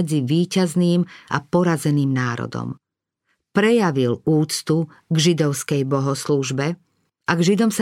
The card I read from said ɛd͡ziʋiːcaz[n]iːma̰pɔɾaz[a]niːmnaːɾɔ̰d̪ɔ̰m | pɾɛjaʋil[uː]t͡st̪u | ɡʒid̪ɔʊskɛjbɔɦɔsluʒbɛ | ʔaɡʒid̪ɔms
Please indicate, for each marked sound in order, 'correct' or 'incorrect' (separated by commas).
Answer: correct, incorrect, correct